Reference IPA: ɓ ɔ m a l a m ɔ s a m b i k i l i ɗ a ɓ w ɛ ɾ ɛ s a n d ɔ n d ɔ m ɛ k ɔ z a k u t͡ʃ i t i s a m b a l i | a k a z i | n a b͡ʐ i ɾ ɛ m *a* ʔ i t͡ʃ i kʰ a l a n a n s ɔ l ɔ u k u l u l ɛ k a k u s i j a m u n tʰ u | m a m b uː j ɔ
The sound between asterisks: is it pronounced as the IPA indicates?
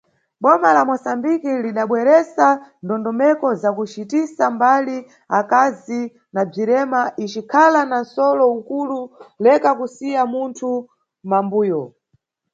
yes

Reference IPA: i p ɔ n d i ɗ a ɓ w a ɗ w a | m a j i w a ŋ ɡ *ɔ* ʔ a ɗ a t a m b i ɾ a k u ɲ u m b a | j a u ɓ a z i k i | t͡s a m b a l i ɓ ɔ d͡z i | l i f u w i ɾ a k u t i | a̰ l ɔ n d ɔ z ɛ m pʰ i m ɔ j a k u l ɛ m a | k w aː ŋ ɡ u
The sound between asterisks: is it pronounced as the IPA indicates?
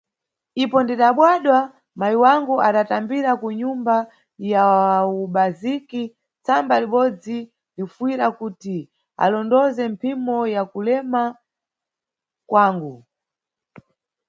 no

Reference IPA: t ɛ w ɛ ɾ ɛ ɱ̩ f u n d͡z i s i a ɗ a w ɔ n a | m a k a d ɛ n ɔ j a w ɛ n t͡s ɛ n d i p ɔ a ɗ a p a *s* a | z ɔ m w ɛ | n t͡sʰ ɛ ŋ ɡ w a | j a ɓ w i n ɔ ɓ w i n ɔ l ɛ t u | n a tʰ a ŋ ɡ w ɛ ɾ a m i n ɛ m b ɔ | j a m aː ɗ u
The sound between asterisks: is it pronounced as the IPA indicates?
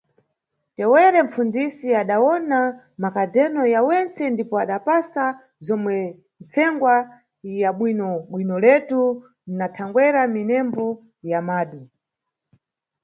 yes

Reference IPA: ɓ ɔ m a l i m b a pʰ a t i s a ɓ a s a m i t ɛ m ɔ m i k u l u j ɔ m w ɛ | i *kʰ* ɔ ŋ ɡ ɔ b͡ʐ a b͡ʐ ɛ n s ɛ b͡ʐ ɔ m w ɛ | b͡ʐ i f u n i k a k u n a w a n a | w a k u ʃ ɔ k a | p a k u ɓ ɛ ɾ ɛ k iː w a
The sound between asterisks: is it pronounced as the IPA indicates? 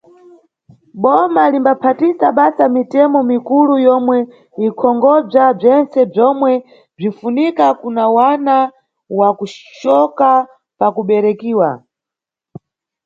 yes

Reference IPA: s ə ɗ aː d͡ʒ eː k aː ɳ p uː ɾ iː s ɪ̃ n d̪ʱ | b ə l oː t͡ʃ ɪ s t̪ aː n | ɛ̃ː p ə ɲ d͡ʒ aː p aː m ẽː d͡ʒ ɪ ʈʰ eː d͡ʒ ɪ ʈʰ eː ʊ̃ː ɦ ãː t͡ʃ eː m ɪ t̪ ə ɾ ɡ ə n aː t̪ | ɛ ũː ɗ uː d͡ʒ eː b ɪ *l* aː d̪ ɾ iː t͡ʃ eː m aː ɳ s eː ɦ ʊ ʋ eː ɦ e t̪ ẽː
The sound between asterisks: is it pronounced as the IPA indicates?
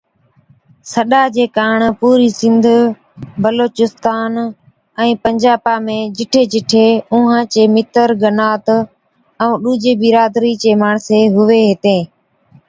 no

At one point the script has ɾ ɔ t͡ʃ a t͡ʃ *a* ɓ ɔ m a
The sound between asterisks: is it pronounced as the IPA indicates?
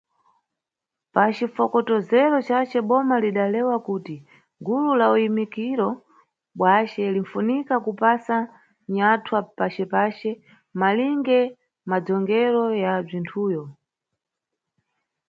no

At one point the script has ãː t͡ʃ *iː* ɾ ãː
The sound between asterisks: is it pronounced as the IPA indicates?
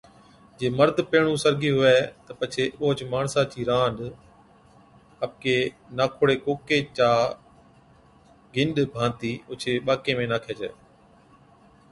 yes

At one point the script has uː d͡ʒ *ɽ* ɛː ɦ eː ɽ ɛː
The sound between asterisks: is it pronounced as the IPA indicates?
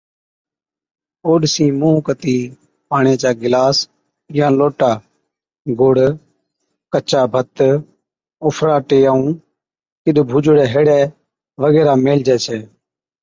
yes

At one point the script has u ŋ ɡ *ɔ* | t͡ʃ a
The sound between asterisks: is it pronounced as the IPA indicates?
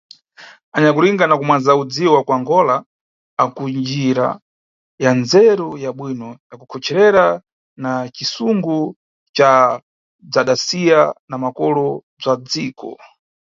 no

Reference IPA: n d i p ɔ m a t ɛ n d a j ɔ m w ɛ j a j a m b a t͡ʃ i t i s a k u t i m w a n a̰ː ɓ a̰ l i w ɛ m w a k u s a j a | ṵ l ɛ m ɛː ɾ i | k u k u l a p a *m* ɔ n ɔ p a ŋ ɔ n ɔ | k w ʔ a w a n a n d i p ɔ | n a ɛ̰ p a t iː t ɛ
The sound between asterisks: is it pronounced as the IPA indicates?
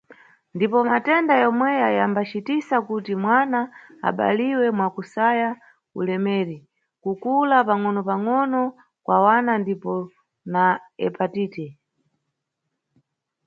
no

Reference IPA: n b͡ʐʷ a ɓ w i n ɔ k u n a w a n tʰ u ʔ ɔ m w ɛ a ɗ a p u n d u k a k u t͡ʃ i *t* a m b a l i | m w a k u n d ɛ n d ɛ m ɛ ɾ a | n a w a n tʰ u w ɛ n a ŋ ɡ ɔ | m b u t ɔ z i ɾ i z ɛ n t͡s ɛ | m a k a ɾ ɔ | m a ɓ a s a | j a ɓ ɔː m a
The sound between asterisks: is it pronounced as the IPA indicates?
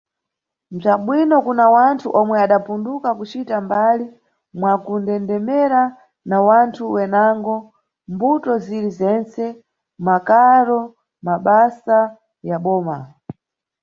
yes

